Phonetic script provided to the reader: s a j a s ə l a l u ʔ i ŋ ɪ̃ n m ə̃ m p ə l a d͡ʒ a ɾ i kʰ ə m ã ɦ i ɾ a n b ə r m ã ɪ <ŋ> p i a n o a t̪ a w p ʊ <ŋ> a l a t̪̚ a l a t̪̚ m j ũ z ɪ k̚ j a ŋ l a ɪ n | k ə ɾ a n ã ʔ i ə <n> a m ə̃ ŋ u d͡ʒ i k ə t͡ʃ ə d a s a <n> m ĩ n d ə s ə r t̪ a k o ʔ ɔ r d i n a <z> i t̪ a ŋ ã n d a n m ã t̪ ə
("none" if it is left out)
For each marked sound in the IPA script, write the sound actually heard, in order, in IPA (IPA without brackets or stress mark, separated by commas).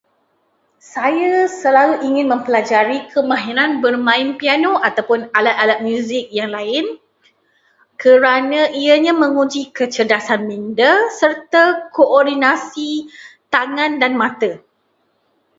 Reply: n, n, ɲ, n, s